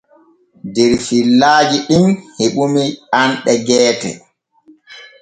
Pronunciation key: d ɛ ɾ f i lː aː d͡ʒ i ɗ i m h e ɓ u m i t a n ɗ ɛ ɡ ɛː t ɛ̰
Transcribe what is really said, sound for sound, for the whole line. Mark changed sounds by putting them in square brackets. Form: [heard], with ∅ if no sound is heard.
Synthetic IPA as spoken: d ɛ ɾ f i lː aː d͡ʒ i ɗ i m h e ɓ u m i [∅] a n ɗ ɛ ɡ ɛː t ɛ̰